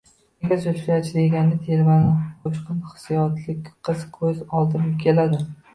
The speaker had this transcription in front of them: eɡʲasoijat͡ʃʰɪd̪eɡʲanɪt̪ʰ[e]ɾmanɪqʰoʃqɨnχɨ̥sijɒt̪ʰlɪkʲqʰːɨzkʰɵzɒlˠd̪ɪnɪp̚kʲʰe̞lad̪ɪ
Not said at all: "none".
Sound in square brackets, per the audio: e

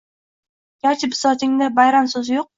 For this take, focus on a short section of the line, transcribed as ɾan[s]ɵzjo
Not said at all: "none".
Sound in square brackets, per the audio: s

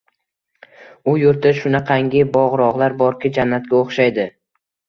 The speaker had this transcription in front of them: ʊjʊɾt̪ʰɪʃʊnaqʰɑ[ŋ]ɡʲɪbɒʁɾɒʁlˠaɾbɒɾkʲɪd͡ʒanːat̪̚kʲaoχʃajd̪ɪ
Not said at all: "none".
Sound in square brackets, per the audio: ŋ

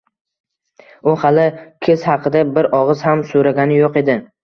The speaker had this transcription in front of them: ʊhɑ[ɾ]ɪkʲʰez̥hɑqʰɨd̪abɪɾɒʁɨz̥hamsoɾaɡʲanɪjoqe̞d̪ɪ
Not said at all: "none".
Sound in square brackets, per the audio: l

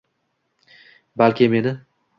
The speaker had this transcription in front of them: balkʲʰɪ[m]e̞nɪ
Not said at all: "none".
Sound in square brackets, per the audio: m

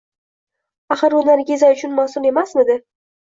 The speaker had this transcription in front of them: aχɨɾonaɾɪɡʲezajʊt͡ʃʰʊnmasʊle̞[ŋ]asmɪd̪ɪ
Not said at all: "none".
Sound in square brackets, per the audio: m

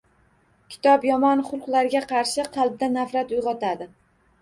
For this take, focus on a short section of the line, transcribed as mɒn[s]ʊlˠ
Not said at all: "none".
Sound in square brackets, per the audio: χ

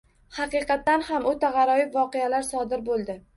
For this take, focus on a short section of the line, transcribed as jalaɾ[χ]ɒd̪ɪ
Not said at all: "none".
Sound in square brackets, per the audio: s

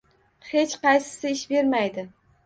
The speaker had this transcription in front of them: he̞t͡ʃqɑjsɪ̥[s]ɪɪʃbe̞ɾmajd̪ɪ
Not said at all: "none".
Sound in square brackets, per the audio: s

